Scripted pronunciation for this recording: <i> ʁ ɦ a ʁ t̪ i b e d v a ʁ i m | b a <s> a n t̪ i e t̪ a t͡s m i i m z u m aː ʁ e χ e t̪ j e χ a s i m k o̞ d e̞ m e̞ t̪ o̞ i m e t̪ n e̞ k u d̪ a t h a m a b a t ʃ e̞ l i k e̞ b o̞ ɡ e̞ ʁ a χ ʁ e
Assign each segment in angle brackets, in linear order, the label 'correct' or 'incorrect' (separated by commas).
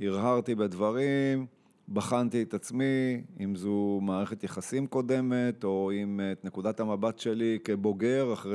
correct, incorrect